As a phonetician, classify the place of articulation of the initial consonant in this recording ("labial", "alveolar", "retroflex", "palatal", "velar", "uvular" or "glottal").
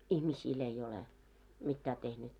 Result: glottal